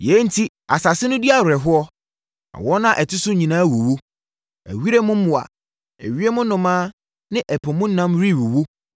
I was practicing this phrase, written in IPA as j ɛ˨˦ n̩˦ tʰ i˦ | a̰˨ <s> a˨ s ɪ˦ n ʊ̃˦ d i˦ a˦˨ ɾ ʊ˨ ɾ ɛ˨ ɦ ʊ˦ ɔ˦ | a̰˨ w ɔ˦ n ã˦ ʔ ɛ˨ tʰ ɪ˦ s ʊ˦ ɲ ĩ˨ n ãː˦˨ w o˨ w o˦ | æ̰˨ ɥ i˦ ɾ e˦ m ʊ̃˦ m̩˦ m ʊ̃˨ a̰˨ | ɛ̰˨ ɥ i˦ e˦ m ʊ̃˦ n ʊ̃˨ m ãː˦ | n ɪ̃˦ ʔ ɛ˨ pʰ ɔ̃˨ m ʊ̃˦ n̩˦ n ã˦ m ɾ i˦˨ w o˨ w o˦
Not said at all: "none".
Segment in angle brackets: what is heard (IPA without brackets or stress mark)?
s